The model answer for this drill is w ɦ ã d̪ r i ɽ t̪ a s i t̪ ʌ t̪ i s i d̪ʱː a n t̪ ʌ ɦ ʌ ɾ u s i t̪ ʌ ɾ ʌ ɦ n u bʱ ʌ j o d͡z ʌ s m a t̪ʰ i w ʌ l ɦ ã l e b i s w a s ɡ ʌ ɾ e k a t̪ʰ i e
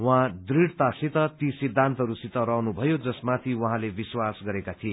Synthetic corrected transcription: w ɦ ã d̪ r i ɽ t̪ a s i t̪ ʌ t̪ i s i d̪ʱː a n t̪ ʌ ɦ ʌ ɾ u s i t̪ ʌ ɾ ʌ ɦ n u bʱ ʌ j o d͡z ʌ s m a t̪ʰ i w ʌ ɦ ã l e b i s w a s ɡ ʌ ɾ e k a t̪ʰ i e